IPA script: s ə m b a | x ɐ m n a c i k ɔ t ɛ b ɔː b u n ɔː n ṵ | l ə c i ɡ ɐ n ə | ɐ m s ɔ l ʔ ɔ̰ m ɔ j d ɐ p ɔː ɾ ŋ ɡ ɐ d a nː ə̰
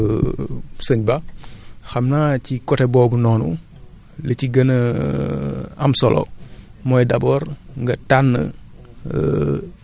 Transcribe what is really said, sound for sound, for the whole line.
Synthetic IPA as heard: s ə ɲ b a | x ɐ m n a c i k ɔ t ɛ b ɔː b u n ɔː n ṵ | l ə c i ɡ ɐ n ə | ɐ m s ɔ l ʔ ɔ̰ m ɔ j d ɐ b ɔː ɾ ŋ ɡ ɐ t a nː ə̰